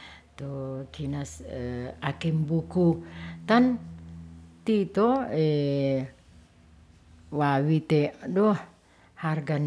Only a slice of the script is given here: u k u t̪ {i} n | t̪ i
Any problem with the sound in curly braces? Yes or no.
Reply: yes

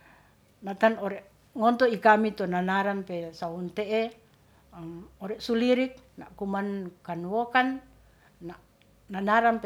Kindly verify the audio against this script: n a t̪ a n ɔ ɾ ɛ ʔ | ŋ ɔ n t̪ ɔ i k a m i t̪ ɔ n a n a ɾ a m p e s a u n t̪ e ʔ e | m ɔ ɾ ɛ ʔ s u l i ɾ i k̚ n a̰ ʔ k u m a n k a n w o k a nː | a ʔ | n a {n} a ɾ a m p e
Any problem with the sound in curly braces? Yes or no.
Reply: no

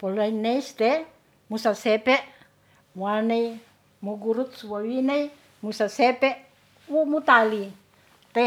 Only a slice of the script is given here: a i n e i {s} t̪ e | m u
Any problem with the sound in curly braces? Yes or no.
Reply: no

